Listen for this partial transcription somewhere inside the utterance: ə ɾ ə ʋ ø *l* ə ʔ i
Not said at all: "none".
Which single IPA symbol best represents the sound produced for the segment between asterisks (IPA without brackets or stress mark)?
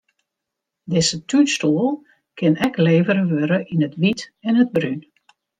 ɾ